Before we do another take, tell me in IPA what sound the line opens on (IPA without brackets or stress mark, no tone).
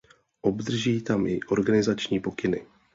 ʔ